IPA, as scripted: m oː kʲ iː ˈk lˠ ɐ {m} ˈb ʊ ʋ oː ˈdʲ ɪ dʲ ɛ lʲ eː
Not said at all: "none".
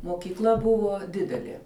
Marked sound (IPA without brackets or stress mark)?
none